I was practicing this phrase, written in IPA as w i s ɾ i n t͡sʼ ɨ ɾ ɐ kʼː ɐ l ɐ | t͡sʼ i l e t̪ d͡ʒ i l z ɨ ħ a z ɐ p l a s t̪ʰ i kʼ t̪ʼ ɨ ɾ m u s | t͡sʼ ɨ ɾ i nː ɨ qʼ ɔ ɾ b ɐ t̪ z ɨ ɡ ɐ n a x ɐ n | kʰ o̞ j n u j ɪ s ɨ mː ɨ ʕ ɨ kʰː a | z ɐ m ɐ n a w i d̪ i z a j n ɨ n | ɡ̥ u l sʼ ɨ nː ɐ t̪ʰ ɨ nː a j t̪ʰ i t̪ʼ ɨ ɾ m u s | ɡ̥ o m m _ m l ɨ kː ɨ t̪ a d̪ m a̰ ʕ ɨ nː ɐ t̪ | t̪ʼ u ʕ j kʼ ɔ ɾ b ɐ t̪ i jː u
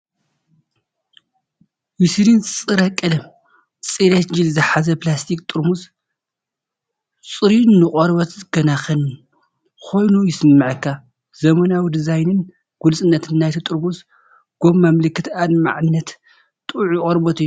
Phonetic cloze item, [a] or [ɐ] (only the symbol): a